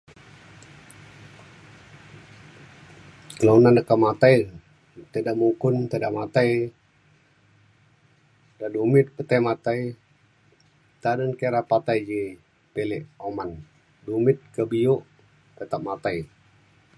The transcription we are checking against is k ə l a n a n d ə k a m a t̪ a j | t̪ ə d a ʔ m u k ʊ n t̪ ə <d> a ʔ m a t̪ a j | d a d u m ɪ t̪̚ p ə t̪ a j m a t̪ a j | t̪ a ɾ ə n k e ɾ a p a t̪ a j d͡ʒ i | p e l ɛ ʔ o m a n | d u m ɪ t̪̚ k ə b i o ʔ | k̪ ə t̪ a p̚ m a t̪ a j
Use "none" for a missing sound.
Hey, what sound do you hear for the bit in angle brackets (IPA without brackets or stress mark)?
d